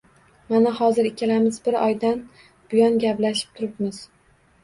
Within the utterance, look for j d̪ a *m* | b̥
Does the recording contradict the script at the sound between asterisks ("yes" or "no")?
yes